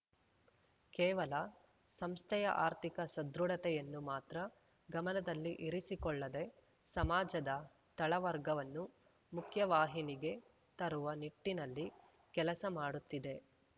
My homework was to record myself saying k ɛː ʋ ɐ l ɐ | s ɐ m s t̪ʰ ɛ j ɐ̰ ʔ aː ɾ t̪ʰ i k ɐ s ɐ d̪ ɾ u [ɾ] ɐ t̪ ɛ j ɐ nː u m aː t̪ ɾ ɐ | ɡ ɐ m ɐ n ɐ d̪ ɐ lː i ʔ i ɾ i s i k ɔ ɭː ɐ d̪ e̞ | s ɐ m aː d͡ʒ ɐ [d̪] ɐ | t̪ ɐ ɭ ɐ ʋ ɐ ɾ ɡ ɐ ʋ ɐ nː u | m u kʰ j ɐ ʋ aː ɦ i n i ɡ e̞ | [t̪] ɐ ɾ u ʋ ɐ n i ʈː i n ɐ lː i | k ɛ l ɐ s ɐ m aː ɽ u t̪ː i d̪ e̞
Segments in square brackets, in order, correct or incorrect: incorrect: ɽ, correct, correct

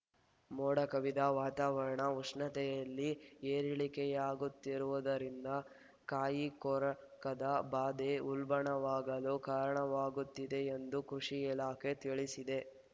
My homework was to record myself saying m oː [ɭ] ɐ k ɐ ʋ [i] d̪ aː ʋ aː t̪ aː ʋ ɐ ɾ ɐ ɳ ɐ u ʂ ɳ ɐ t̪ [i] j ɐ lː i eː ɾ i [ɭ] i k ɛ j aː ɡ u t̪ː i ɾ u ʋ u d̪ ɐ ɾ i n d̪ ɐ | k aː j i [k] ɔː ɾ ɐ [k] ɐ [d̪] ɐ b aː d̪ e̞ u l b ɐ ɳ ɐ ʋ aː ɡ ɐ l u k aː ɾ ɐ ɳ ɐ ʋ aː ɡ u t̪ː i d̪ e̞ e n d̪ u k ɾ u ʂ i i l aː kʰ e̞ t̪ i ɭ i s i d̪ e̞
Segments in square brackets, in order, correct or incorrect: incorrect: ɽ, correct, incorrect: ɛ, correct, correct, correct, correct

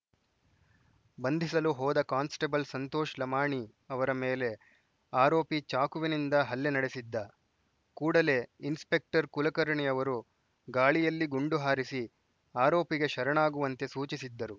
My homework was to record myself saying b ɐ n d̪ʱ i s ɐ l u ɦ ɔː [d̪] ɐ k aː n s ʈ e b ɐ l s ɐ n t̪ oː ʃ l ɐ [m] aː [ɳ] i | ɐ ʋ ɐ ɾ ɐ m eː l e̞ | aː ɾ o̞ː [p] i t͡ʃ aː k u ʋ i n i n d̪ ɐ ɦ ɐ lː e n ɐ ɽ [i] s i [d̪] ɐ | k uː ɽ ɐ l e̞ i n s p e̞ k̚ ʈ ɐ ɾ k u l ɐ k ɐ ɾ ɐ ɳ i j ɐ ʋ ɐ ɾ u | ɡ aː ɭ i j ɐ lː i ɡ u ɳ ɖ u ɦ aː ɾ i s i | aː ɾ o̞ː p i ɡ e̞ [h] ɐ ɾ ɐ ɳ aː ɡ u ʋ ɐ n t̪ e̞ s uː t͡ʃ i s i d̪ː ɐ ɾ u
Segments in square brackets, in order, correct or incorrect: correct, correct, correct, correct, incorrect: e, incorrect: d̪ː, incorrect: ʃ

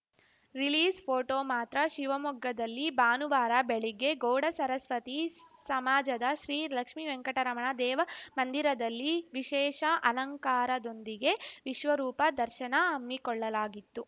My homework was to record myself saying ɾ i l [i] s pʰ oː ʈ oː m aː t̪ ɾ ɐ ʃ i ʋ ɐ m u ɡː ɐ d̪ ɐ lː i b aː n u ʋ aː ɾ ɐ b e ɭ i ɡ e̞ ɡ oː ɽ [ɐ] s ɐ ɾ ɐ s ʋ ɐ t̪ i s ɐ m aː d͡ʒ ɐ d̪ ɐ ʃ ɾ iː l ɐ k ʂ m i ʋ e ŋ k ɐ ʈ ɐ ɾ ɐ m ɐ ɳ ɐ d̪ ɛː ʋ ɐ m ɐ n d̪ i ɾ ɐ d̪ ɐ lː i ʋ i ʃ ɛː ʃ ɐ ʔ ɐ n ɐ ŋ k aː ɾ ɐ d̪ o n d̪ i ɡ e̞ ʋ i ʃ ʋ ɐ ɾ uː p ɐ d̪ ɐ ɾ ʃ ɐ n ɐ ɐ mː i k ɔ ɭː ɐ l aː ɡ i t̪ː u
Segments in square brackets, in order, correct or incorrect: incorrect: iː, correct

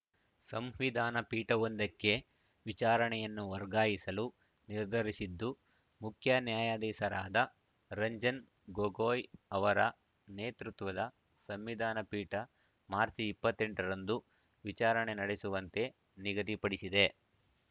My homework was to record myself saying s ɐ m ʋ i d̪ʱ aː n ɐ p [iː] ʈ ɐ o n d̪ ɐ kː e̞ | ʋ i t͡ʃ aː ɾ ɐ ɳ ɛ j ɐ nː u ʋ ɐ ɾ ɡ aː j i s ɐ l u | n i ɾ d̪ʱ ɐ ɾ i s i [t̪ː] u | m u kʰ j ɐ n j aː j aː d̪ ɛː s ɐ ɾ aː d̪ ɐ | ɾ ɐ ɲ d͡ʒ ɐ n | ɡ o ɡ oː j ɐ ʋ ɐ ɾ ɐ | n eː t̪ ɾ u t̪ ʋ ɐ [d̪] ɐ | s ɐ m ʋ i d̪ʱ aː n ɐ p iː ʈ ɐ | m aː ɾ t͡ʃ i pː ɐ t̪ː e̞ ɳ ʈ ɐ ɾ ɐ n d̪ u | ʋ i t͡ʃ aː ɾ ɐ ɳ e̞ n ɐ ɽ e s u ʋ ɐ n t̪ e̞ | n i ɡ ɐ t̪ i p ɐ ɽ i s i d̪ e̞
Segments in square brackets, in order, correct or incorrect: correct, incorrect: d̪ː, correct

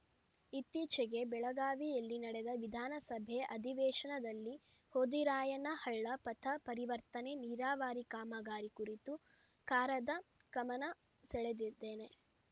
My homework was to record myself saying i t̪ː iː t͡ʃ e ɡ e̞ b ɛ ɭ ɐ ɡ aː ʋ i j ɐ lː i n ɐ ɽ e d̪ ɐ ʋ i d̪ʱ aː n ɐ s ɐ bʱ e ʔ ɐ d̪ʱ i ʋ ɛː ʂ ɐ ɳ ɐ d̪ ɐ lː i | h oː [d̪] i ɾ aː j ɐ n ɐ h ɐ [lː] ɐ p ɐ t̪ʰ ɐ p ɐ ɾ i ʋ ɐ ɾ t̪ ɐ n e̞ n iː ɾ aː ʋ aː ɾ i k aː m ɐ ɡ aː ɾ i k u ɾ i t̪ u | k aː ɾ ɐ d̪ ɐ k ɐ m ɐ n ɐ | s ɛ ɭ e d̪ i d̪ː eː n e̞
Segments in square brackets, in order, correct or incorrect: correct, incorrect: ɭː

